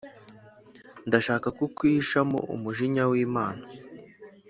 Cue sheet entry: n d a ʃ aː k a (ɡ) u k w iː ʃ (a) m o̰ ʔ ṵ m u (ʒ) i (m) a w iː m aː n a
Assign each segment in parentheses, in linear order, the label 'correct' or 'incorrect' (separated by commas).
incorrect, correct, correct, incorrect